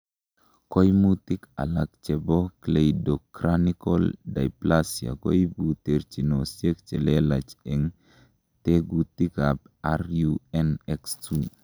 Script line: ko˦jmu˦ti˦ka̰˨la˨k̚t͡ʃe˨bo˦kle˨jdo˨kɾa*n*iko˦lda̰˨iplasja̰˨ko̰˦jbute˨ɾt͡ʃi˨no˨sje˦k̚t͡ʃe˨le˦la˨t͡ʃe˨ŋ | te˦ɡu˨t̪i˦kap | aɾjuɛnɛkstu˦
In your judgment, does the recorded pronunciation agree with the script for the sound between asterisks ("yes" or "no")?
yes